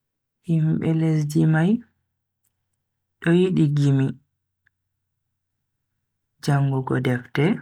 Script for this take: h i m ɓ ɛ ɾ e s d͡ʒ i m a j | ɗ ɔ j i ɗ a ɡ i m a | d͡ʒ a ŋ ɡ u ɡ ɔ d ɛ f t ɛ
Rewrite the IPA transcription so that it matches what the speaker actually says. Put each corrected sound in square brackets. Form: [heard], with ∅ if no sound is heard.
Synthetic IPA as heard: h i m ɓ ɛ [l] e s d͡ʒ i m a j | ɗ ɔ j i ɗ [i] ɡ i m [i] | d͡ʒ a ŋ ɡ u ɡ ɔ d ɛ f t ɛ